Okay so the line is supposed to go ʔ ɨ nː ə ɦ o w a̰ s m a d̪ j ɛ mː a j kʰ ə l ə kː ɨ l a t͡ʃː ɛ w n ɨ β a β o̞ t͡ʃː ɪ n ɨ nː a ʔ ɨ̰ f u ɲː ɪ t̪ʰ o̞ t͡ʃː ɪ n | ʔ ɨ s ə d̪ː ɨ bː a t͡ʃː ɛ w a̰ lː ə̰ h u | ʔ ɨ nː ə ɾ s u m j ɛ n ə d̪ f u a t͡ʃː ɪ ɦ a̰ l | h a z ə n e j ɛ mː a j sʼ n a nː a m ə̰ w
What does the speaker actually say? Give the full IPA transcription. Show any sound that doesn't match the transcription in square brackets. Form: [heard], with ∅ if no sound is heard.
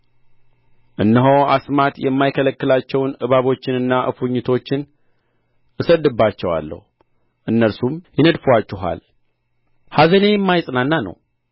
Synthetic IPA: ʔ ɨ nː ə ɦ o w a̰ s m a [t̪] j ɛ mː a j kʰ ə l ə kː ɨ l a t͡ʃː ɛ w n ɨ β a β o̞ t͡ʃː ɪ n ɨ nː a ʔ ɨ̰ f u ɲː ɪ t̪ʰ o̞ t͡ʃː ɪ n | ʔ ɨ s ə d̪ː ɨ bː a t͡ʃː ɛ w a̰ lː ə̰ h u | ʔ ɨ nː ə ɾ s u m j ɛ n ə d̪ f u a t͡ʃː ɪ ɦ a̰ l | h a z ə n e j ɛ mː a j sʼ n a nː a [n] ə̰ w